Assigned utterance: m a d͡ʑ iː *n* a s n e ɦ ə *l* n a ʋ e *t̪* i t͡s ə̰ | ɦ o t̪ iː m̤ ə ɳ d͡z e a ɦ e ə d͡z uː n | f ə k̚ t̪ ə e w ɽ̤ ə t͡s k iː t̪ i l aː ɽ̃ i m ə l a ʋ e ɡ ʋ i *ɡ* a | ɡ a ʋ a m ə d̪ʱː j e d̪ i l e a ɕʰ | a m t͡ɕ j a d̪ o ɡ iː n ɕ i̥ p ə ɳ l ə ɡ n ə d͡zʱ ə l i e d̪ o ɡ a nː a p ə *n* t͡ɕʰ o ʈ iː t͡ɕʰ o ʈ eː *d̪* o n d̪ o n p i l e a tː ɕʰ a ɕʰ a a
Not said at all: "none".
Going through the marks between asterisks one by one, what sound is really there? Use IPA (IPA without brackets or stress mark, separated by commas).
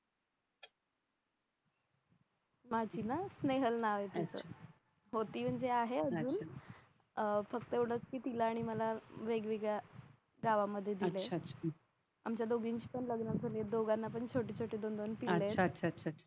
n, l, t̪, ɡ, ɳ, d̪